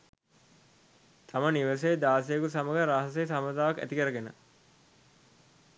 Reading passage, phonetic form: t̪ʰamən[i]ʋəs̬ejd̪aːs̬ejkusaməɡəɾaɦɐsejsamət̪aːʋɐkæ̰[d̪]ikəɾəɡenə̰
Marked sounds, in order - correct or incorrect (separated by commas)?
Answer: correct, incorrect